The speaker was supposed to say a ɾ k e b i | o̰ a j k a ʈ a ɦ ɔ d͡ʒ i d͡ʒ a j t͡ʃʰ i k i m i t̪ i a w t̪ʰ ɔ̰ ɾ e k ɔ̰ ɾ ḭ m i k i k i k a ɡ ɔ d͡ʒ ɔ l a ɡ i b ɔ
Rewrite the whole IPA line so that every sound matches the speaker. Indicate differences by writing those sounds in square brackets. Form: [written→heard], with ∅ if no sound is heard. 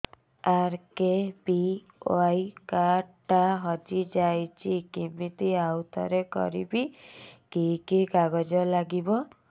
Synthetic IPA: a ɾ k e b i | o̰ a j k a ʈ a ɦ ɔ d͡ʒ i d͡ʒ a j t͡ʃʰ i k i m i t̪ i a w t̪ʰ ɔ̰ ɾ e k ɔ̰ ɾ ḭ [m→b] i k i k i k a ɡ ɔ d͡ʒ ɔ l a ɡ i b ɔ